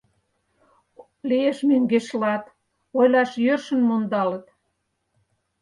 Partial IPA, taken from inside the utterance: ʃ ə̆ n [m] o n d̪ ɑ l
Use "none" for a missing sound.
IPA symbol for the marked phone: m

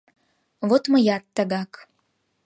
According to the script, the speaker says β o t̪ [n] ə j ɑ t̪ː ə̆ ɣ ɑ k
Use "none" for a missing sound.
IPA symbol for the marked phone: m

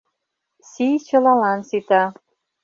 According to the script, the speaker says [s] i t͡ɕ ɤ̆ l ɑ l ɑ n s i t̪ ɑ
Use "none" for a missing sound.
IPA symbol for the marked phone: s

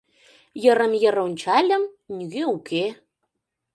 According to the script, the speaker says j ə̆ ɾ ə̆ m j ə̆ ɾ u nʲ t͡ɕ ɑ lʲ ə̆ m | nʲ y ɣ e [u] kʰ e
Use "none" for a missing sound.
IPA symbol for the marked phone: u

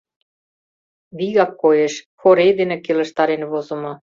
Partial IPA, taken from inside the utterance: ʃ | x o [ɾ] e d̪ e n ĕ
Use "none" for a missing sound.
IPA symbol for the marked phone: ɾ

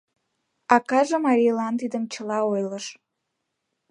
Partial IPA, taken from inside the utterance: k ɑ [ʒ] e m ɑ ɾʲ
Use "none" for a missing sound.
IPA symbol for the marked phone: ʒ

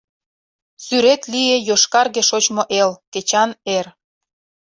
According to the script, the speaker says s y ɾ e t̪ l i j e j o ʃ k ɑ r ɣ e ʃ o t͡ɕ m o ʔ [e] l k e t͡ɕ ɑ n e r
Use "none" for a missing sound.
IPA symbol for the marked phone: e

